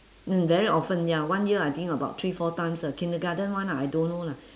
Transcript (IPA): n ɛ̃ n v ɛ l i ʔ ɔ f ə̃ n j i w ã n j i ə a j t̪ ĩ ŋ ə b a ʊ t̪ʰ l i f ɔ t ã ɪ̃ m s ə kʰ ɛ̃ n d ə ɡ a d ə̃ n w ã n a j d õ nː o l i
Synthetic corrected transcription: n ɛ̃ n v ɛ ɹ i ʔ ɔ f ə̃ n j a w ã n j i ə a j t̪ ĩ ŋ ə b a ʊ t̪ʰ ɹ i f ɔ t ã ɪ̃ m s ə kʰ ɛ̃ n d ə ɡ a d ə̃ n w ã n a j d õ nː o l a